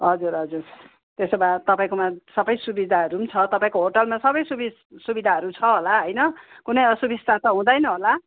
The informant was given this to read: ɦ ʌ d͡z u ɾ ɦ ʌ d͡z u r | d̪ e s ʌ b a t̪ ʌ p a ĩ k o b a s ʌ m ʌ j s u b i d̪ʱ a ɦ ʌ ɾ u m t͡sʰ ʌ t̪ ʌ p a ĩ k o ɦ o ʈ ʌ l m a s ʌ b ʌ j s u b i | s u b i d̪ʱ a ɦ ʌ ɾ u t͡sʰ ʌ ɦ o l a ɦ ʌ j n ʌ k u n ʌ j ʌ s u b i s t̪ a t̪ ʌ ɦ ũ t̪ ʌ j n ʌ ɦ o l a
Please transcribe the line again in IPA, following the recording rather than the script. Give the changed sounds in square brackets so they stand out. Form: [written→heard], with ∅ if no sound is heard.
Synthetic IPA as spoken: ɦ ʌ d͡z u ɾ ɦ ʌ d͡z u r | [d̪→t̪] e s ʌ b a t̪ ʌ p a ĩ k o [b→m] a s ʌ [m→b] ʌ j s u b i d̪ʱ a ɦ ʌ ɾ u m t͡sʰ ʌ t̪ ʌ p a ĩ k o ɦ o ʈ ʌ l m a s ʌ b ʌ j s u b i | s u b i d̪ʱ a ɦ ʌ ɾ u t͡sʰ ʌ ɦ o l a ɦ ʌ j n ʌ k u n ʌ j ʌ s u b i s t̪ a t̪ ʌ ɦ ũ [t̪→d̪] ʌ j n ʌ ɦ o l a